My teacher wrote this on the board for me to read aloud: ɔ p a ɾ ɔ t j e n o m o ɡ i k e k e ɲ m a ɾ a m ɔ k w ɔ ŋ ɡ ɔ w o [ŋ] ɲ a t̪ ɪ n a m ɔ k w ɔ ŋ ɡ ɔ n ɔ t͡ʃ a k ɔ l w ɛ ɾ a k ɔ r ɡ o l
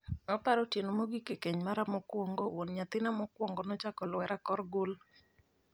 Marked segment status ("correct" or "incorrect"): incorrect